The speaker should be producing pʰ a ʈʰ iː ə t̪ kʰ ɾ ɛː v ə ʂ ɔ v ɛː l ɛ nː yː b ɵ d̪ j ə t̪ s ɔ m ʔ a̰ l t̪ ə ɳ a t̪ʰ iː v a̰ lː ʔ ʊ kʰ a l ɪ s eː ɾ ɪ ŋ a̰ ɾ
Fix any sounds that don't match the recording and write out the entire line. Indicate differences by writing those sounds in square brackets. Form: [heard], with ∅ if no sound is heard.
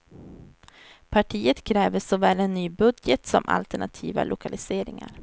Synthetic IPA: pʰ a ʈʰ iː ə t̪ kʰ ɾ ɛː v ə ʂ ɔ v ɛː l ɛ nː yː b ɵ d̪ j ə t̪ s ɔ m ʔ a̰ l t̪ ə ɳ a t̪ʰ iː v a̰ [l] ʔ ʊ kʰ a l ɪ s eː ɾ ɪ ŋ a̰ ɾ